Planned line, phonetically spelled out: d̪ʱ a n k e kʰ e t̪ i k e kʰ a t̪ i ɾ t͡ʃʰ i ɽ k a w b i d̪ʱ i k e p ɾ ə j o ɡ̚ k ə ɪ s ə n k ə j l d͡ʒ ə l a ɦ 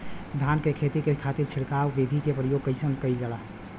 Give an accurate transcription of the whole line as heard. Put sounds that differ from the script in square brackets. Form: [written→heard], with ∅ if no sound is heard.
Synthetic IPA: d̪ʱ a n k e kʰ e t̪ i k e kʰ a t̪ i ɾ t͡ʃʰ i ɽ k a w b i d̪ʱ i k e p ɾ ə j o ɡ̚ k ə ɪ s ə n k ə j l d͡ʒ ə l a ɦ